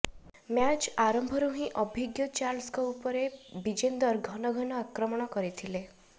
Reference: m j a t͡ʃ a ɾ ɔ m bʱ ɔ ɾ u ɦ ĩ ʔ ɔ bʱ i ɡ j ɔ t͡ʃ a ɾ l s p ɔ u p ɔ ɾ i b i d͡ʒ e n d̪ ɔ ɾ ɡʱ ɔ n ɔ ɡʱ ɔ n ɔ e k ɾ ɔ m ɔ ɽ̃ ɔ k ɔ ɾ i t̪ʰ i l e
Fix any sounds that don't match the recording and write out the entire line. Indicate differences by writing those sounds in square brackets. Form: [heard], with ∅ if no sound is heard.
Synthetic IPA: m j a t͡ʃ a ɾ ɔ m bʱ ɔ ɾ u ɦ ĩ ʔ ɔ bʱ i ɡ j ɔ t͡ʃ a ɾ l s [k] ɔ u p ɔ ɾ [e] b i d͡ʒ e n d̪ ɔ ɾ ɡʱ ɔ n ɔ ɡʱ ɔ n ɔ [a] k ɾ ɔ m ɔ ɽ̃ ɔ k ɔ ɾ i t̪ʰ i l e